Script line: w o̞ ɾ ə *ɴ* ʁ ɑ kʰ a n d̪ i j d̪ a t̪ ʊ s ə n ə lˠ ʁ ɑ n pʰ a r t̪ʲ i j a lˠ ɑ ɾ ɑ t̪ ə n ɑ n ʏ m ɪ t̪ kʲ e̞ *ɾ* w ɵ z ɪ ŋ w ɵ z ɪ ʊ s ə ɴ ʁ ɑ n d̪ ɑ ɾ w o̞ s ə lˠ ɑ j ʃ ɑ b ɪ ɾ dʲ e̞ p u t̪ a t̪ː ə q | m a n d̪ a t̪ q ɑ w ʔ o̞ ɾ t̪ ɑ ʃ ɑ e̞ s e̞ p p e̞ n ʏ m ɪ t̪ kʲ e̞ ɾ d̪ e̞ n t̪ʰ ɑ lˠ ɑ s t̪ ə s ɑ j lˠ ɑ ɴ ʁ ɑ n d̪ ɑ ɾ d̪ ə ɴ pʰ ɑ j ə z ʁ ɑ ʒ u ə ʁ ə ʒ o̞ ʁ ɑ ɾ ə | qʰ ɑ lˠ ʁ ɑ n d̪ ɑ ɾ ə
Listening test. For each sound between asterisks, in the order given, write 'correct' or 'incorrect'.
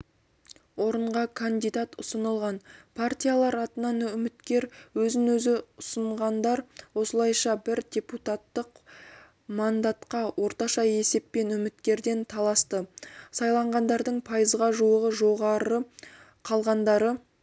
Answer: correct, correct

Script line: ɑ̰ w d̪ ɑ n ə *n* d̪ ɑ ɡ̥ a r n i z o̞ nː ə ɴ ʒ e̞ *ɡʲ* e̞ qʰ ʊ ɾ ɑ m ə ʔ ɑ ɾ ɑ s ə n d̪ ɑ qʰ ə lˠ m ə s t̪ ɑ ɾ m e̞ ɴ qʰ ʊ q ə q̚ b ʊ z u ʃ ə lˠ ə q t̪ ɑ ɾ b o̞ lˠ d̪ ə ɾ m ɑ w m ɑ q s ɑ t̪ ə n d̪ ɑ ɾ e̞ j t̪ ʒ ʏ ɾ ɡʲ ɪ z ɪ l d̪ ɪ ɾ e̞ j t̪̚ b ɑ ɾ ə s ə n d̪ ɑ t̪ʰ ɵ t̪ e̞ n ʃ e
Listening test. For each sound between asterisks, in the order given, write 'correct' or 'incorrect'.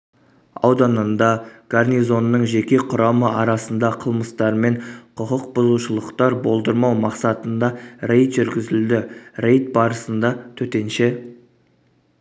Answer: correct, incorrect

